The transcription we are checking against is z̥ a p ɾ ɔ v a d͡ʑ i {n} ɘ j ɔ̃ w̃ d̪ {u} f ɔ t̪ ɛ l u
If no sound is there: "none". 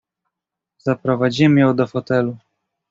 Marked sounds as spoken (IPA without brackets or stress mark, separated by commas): m, ɔ